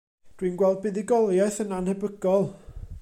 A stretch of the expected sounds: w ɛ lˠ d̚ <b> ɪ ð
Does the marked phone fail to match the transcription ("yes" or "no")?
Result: no